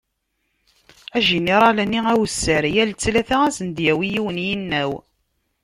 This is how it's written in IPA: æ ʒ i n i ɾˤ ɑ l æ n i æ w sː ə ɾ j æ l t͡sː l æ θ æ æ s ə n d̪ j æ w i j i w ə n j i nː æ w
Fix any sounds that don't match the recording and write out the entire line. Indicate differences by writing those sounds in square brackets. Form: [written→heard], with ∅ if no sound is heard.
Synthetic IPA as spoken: æ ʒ i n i ɾˤ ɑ l æ n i æ w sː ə ɾ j æ l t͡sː l æ θ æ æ s ə n d̪ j æ w i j i w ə n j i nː æ w